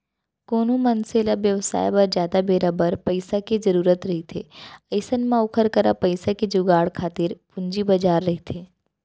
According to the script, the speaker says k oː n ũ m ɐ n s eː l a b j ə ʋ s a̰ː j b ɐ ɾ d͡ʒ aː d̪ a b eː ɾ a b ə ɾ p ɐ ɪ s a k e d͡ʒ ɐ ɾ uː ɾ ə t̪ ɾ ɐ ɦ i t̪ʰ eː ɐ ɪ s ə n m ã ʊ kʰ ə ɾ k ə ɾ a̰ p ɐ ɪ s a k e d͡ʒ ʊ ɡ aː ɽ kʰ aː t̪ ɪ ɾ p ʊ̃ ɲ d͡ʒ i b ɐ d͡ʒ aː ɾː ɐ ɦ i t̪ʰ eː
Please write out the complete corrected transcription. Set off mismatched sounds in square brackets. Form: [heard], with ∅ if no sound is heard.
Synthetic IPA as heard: k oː n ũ m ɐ n s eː l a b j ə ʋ s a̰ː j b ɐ ɾ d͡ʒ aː d̪ a b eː ɾ a b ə ɾ p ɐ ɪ s a k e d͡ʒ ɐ ɾ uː ɾ ə t̪ ɾ ɐ ɦ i t̪ʰ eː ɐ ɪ s ə n m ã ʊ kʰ ə ɾ k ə ɾ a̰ p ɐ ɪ s a k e d͡ʒ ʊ ɡ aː ɽ kʰ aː t̪ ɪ ɾ p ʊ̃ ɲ d͡ʒ i b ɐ d͡ʒ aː ɾː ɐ ɦ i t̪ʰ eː

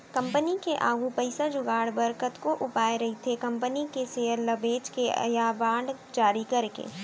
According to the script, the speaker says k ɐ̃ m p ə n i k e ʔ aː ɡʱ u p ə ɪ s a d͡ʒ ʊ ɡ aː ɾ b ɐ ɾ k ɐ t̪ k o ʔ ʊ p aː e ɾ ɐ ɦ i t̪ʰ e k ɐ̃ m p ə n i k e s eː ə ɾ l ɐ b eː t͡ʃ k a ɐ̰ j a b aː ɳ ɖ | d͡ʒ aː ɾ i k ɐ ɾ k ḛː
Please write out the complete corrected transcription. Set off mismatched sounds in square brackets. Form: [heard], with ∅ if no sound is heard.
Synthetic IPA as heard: k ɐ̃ m p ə n i k e ʔ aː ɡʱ u p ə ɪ s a d͡ʒ ʊ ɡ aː [ɽ] b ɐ ɾ k [ə] t̪ k o ʔ ʊ p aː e ɾ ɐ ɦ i t̪ʰ e k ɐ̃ m p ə n i k e s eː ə ɾ l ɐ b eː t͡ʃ k [e] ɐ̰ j a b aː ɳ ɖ | d͡ʒ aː ɾ i k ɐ ɾ k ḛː

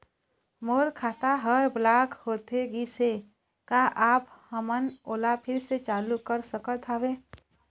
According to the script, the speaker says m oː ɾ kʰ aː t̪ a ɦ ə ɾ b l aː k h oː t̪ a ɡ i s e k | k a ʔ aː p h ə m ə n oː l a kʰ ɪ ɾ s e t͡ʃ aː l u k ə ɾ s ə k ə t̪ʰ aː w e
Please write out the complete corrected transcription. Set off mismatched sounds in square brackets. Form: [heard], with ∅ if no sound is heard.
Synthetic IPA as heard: m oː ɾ kʰ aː t̪ a ɦ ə ɾ b l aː k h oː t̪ [e] ɡ i s e [∅] | k a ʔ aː p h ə m ə n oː l a [pʰ] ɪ ɾ s e t͡ʃ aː l u k ə ɾ s ə k ə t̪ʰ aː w e

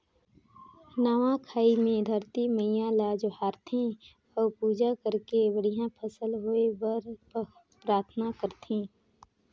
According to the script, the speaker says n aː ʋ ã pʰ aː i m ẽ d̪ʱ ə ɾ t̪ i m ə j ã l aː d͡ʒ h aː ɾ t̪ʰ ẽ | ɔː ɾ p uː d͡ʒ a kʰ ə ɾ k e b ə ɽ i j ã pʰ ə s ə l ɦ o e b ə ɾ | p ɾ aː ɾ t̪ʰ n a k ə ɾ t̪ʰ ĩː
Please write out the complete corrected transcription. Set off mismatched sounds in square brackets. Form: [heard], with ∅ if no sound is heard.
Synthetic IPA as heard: n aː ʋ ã [kʰ] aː i m ẽ d̪ʱ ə ɾ t̪ i m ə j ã l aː d͡ʒ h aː ɾ t̪ʰ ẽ | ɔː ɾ p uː d͡ʒ a [k] ə ɾ k e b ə ɽ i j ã pʰ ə s ə l ɦ o e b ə ɾ | p ɾ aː ɾ t̪ʰ n a k ə ɾ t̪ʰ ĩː

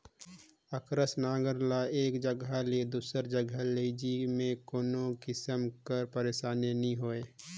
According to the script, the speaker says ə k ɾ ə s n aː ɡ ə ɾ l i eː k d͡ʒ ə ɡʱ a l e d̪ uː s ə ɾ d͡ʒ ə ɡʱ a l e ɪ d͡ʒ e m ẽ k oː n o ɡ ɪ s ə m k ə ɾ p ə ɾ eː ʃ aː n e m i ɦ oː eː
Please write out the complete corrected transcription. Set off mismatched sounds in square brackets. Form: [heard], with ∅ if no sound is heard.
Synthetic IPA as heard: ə k ɾ ə s n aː ɡ ə ɾ l [a] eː k d͡ʒ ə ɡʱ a l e d̪ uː s ə ɾ d͡ʒ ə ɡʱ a l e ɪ d͡ʒ [i] m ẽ k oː n o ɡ ɪ s ə m k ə ɾ p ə ɾ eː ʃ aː n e [n] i ɦ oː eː

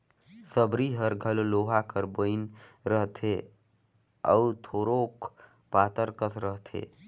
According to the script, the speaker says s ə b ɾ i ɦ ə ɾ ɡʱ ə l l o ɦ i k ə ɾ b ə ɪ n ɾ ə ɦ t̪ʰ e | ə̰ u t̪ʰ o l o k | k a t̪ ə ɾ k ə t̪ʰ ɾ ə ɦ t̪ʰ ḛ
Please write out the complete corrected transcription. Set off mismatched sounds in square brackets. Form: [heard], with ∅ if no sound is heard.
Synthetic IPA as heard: s ə b ɾ i ɦ ə ɾ ɡʱ ə l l o ɦ [a] k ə ɾ b ə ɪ n ɾ ə ɦ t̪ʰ e | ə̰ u t̪ʰ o [ɾ] o k | [p] a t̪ ə ɾ k ə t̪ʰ ɾ ə ɦ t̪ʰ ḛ

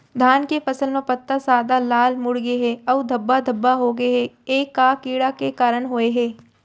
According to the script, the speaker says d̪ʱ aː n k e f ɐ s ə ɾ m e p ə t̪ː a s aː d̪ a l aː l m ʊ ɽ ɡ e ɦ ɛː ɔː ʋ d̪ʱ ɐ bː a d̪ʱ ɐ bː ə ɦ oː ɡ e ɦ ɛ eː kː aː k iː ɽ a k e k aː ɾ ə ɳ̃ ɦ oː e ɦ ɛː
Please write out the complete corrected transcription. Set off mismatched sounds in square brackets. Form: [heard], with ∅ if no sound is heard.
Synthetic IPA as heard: d̪ʱ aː n k e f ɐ s ə [l] m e p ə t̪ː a s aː d̪ a l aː l m ʊ ɽ ɡ e ɦ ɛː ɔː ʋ d̪ʱ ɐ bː a d̪ʱ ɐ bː [a] ɦ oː ɡ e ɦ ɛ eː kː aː k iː ɽ a k e k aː ɾ ə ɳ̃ ɦ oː e ɦ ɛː

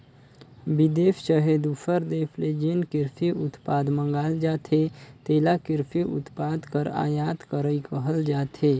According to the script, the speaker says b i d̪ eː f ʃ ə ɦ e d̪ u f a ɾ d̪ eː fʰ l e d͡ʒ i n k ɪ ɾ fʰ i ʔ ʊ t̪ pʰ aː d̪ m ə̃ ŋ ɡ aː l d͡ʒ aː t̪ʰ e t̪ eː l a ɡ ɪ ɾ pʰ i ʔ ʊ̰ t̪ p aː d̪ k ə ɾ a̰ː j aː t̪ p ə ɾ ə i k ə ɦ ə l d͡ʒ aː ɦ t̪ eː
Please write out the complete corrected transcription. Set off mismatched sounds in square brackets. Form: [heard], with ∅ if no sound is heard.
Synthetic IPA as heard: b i d̪ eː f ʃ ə ɦ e d̪ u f [ə] ɾ d̪ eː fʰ l e d͡ʒ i n k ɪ ɾ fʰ i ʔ ʊ t̪ [p] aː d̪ m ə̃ ŋ ɡ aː l d͡ʒ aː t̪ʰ e t̪ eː l a [k] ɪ ɾ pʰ i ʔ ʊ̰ t̪ p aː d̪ k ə ɾ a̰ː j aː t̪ [k] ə ɾ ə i k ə ɦ ə l d͡ʒ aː [∅] t̪ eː

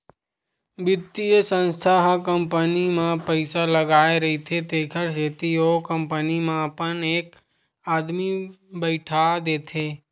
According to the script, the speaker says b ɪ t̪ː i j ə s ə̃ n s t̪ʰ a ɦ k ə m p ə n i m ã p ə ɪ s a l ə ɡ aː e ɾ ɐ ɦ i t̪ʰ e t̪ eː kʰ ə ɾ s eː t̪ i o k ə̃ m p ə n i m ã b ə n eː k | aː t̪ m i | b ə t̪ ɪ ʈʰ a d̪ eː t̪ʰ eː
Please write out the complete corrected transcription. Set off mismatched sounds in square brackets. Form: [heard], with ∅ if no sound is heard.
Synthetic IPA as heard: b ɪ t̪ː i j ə s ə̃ n s t̪ʰ a ɦ k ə m p ə n i m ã p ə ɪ s a l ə ɡ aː e ɾ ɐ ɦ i t̪ʰ e t̪ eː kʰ ə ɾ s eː t̪ i o k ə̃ m p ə n i m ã [p] ə n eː k | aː [d̪] m i | b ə [∅] ɪ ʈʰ a d̪ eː t̪ʰ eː

